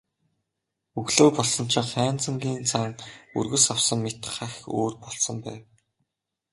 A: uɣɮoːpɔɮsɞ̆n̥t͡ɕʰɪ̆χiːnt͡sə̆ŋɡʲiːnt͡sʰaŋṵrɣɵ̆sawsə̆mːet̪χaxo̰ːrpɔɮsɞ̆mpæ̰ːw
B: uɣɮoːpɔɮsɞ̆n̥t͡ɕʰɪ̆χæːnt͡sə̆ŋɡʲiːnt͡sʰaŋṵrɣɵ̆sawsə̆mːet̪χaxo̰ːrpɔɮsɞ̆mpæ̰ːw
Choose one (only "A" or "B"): B